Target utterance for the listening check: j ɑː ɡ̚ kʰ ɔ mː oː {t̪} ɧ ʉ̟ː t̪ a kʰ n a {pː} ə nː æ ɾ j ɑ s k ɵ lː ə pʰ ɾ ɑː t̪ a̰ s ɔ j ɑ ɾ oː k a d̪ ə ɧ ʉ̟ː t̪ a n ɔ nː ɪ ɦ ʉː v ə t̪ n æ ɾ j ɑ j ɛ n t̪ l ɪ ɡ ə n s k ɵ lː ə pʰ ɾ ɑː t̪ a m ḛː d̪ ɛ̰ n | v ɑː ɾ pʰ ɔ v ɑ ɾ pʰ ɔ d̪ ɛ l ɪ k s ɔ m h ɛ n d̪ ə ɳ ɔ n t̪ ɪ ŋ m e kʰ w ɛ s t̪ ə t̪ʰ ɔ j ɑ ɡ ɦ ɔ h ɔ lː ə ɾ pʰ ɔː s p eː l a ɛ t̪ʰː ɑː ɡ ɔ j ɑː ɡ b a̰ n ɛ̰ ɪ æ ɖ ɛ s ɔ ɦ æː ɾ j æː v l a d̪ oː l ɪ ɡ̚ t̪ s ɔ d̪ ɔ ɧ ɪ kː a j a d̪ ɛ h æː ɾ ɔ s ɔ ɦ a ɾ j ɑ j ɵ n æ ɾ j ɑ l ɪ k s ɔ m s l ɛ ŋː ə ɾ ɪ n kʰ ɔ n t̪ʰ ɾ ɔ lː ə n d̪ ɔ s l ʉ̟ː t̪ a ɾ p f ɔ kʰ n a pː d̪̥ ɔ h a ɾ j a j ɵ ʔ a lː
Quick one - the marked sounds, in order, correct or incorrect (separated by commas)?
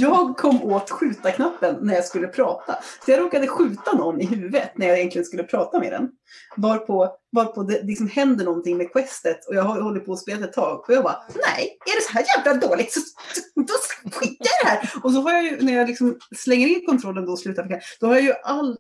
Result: correct, correct